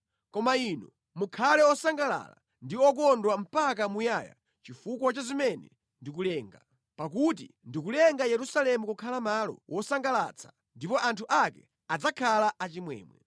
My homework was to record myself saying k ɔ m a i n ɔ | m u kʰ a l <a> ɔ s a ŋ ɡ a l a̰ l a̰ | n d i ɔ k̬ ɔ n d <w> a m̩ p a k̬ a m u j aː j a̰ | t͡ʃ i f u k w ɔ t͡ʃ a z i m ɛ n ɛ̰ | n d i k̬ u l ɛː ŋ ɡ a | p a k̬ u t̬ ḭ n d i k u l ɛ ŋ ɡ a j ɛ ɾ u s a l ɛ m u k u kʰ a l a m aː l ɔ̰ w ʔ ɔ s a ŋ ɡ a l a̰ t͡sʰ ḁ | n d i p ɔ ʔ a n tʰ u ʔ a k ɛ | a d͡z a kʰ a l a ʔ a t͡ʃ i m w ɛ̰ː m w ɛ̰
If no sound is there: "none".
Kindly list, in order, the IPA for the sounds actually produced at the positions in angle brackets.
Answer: ɛ, w

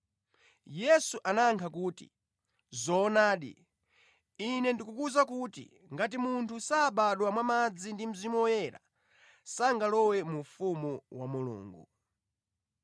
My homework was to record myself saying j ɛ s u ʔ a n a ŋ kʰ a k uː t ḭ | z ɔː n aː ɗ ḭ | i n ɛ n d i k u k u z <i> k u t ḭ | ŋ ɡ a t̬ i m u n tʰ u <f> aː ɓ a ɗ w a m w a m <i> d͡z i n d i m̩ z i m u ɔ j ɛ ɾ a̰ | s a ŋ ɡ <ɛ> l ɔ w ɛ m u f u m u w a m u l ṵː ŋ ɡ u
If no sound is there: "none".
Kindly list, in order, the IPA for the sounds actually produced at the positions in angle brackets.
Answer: a, s, a, a

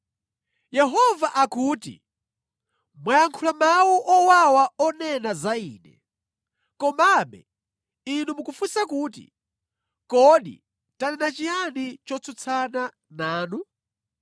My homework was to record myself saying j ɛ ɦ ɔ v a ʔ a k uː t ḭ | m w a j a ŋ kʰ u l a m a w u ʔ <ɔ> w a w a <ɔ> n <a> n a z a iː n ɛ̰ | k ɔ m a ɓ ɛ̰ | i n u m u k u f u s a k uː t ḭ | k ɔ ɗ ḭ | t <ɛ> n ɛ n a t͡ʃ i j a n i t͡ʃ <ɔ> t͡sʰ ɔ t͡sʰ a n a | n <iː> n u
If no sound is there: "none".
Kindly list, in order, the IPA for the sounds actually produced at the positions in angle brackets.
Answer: ɔ, ɔ, ɛ, a, ɔ, aː

